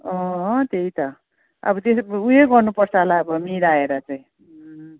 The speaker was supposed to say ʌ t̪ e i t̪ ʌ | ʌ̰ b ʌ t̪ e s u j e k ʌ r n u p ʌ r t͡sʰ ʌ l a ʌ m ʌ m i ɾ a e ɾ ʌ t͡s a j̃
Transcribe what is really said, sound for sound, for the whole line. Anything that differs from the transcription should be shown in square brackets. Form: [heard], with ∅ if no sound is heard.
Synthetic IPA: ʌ t̪ e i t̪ ʌ | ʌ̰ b ʌ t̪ e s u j e [ɡ] ʌ r n u p ʌ r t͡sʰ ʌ l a ʌ [b] ʌ m i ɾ a e ɾ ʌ t͡s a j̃